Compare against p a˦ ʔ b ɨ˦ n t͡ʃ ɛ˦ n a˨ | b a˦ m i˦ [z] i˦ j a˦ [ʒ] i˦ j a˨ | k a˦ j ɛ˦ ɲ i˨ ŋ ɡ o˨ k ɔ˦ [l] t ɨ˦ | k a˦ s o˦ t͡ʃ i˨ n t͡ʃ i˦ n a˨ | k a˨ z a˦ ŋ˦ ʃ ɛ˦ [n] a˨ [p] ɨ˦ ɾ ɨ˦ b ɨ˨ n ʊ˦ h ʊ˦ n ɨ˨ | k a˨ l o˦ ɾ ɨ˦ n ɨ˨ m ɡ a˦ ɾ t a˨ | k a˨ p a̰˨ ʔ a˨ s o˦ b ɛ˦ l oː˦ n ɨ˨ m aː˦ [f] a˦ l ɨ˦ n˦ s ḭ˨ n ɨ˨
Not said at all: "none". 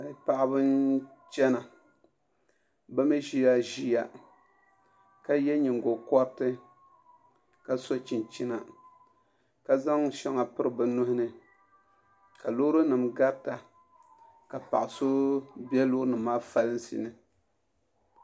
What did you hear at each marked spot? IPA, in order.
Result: ʒ, ʒ, ɾ, ŋ, p, f

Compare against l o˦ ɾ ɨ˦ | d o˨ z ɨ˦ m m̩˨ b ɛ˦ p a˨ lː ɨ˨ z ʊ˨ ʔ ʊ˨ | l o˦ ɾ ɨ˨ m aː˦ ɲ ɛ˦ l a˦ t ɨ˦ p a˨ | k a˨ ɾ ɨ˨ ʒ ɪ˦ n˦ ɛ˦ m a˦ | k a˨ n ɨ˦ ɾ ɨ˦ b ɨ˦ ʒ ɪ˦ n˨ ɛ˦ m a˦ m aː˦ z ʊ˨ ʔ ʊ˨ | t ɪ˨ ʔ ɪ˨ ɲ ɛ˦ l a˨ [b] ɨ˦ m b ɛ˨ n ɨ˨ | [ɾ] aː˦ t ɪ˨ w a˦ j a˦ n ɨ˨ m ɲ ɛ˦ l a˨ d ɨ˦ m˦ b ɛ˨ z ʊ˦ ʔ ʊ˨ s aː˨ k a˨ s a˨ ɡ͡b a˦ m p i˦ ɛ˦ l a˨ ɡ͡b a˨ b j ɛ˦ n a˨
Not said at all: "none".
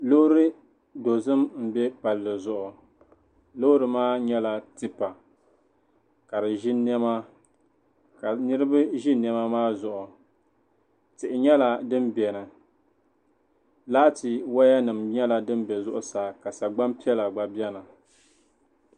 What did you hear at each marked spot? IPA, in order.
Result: d, l

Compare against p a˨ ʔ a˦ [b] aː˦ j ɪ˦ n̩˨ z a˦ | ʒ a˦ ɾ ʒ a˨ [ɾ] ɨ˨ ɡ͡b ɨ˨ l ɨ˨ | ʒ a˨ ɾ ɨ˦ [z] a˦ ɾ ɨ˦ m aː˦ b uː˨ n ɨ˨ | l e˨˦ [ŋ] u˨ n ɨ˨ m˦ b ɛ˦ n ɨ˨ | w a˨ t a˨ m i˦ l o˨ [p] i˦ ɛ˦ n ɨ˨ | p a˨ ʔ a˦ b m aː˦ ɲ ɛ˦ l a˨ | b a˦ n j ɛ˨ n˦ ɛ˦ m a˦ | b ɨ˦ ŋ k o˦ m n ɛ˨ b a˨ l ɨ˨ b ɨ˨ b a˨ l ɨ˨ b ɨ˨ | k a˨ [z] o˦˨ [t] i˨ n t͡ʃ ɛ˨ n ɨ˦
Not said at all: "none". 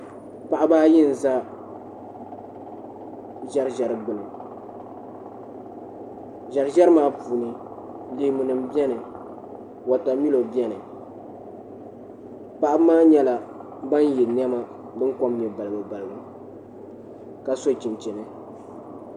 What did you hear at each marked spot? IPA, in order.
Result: b, ɾ, ʒ, m, b, s, t͡ʃ

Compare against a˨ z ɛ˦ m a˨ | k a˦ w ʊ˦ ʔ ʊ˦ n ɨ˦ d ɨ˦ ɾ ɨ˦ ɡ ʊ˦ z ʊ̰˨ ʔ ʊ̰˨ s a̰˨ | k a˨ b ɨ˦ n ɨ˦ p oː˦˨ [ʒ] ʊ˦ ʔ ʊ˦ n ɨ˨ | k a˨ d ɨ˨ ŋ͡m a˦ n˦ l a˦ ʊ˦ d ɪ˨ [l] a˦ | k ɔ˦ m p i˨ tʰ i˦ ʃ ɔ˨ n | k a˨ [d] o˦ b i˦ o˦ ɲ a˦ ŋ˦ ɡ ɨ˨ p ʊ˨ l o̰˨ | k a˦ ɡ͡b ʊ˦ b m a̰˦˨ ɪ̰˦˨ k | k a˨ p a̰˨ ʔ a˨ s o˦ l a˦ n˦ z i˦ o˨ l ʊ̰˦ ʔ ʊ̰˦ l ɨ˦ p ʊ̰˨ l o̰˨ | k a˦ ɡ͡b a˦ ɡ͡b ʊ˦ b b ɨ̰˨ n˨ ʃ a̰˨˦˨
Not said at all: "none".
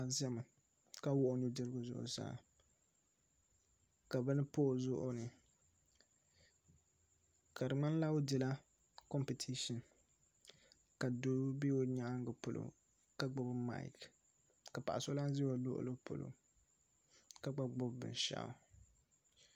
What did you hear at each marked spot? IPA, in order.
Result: z, l, d

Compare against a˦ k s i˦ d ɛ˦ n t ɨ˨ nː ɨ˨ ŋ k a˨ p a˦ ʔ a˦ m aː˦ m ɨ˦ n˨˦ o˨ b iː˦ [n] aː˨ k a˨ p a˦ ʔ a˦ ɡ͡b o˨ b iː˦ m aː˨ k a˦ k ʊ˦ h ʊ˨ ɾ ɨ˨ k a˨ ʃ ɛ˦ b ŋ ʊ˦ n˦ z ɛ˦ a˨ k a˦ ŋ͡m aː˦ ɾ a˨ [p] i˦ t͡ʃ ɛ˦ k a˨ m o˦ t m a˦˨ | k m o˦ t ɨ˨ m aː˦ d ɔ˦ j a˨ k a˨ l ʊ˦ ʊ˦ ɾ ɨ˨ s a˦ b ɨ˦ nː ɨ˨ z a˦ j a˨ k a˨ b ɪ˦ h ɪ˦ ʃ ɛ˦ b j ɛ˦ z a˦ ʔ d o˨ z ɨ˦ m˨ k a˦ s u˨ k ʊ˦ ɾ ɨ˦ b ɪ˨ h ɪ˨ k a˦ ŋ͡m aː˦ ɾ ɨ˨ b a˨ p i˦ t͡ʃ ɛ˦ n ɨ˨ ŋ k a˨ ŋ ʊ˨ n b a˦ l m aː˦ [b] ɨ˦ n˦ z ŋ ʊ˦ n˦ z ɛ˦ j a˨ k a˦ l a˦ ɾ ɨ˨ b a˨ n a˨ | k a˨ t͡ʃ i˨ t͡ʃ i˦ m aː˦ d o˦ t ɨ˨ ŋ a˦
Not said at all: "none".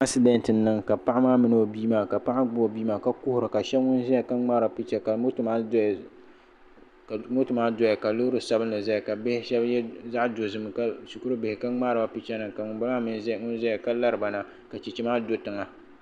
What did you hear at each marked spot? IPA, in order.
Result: m, p, m

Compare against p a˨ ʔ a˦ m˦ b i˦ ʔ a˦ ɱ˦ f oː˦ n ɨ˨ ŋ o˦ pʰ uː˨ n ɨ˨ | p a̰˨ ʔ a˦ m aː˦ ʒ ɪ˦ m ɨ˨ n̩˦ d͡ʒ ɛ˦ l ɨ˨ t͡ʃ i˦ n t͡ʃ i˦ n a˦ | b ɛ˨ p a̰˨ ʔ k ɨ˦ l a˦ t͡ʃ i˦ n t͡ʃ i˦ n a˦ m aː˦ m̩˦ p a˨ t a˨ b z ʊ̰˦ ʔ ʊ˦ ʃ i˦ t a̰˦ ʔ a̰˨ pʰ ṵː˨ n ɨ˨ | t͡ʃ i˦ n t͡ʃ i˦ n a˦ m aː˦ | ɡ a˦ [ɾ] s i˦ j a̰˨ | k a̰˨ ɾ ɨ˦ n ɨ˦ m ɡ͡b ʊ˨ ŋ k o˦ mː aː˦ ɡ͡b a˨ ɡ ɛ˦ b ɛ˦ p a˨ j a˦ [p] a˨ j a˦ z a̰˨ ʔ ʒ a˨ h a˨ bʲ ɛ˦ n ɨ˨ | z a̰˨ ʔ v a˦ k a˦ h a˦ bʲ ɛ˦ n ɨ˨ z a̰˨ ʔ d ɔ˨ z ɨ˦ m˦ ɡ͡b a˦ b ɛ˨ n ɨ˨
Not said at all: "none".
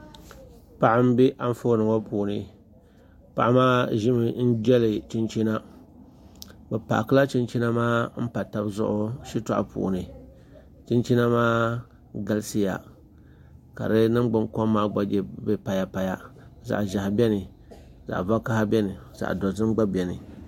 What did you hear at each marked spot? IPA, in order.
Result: l, p

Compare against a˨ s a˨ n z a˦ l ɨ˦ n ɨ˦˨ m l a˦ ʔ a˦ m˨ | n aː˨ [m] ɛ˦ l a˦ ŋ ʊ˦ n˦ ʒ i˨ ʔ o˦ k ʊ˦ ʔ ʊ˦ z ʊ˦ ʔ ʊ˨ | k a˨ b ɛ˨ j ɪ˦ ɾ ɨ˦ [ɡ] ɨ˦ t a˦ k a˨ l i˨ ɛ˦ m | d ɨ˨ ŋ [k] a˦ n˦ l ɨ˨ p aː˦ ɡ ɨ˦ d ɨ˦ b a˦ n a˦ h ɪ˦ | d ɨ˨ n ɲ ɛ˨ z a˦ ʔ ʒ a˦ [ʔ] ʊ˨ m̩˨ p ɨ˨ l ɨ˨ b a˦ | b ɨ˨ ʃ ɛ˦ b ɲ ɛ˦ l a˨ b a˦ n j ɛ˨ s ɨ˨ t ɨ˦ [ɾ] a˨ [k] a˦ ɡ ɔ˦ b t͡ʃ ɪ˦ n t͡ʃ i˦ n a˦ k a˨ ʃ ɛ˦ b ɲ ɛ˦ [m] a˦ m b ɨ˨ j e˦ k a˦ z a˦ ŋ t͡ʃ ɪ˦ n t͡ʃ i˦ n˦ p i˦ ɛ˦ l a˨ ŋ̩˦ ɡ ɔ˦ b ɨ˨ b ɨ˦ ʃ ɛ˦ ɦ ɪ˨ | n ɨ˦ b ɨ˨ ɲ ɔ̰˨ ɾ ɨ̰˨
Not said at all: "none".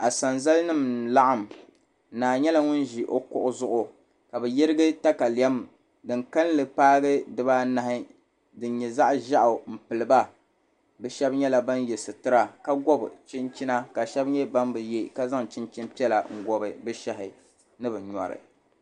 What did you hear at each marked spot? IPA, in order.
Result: ɲ, ɡ, k, ʔ, ɾ, k, b

